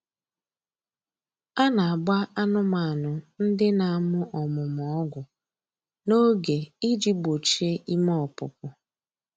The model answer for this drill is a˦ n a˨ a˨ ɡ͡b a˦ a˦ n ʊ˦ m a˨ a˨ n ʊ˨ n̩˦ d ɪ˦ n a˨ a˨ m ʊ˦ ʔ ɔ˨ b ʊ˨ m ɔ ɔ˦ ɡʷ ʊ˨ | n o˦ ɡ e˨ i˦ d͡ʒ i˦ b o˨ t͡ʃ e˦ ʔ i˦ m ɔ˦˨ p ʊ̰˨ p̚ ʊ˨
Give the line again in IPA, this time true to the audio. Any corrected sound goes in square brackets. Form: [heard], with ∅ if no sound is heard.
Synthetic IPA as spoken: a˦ n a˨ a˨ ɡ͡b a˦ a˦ n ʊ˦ m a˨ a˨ n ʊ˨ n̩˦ d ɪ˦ n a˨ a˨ m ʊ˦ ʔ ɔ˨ [m] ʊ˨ m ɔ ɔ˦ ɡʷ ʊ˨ | n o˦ ɡ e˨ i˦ d͡ʒ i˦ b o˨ t͡ʃ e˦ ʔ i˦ m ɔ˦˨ p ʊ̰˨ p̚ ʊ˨